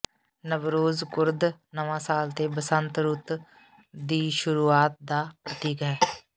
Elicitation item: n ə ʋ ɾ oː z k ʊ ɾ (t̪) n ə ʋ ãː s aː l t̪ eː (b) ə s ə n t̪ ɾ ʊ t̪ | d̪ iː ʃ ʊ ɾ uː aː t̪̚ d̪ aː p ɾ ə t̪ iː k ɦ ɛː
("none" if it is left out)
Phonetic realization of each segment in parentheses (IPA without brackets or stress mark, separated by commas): d̪, b